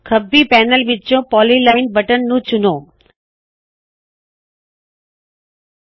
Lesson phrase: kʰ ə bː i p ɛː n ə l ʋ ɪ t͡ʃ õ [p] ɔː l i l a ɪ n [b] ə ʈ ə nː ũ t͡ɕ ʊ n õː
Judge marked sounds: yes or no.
yes, yes

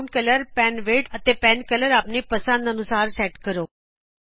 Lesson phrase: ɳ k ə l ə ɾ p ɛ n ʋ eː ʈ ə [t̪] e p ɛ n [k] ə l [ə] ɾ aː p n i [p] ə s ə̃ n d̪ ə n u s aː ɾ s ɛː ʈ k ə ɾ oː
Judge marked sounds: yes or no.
yes, yes, yes, yes

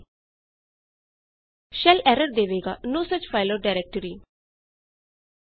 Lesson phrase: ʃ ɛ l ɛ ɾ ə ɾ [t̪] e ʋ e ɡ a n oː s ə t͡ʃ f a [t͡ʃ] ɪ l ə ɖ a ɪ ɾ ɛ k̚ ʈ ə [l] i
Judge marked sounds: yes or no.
no, no, no

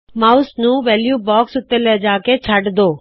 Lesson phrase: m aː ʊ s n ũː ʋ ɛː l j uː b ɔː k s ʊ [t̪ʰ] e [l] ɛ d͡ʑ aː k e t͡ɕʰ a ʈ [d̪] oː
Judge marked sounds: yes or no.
no, yes, yes

